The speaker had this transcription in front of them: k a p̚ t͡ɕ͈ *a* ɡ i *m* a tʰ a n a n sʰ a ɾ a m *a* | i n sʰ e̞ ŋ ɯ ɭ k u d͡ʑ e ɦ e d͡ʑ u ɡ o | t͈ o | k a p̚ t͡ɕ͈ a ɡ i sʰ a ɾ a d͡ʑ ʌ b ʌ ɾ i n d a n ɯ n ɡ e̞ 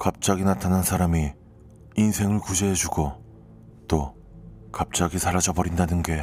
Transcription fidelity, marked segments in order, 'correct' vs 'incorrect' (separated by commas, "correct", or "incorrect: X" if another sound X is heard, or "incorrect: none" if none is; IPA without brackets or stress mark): correct, incorrect: n, incorrect: i